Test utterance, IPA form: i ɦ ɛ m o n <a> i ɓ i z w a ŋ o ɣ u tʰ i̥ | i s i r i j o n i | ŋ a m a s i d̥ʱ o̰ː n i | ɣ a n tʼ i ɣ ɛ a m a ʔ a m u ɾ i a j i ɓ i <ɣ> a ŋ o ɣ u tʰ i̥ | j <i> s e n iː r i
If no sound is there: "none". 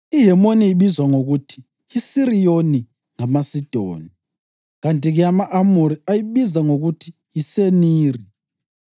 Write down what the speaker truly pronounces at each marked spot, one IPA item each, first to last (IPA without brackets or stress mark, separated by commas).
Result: i, z, i